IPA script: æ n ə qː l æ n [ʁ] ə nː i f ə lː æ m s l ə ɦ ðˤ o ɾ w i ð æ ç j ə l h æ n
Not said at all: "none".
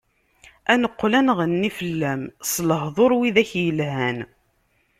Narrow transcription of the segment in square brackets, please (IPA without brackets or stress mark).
ʁ